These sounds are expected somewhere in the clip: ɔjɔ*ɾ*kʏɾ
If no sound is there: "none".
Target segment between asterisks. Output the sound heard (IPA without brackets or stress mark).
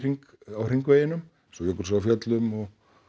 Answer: none